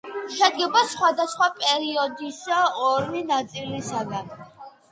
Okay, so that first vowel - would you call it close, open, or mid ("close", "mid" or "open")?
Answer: mid